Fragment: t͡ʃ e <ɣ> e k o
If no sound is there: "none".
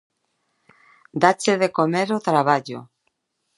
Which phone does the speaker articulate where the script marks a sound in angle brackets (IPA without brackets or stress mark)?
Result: ð